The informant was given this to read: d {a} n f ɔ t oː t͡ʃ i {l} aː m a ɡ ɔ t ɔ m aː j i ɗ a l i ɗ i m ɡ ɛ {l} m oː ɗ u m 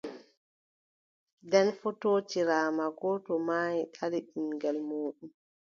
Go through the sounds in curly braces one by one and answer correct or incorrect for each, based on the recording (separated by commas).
incorrect, incorrect, correct